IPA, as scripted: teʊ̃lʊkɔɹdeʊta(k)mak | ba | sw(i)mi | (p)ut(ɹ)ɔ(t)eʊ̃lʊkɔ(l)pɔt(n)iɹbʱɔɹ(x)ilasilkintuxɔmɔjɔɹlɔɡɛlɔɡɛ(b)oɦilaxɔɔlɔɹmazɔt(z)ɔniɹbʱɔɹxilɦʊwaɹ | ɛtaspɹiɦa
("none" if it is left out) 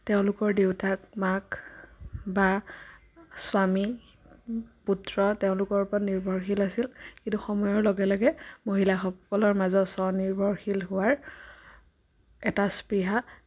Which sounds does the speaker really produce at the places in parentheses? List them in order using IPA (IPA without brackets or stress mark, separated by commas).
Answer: k, a, p, ɹ, t, ɹ, n, x, m, s